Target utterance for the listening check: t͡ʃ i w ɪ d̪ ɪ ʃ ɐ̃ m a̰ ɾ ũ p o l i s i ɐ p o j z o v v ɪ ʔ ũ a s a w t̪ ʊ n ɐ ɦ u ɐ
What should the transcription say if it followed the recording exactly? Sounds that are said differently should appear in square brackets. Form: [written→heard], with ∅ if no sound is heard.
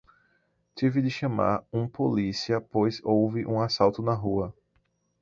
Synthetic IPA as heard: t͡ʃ i [w→v] ɪ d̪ ɪ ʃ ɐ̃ m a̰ ɾ ũ p o l i s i ɐ p o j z o [v→w] v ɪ ʔ ũ a s a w t̪ ʊ n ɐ ɦ u ɐ